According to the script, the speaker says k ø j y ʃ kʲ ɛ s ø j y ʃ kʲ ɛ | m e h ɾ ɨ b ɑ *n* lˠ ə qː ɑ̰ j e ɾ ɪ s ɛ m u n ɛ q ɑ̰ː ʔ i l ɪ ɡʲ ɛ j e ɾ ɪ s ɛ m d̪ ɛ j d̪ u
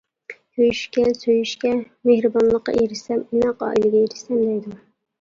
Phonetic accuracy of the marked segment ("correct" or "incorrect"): correct